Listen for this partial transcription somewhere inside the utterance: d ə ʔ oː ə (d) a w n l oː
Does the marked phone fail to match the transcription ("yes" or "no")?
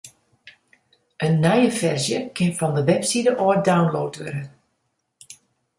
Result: no